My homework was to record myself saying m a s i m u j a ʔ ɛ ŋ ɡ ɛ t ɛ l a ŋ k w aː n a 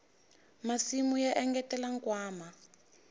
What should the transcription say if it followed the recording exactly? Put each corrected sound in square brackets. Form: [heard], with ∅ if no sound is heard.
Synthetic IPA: m a s i m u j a ʔ ɛ ŋ ɡ ɛ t ɛ l a ŋ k w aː [m] a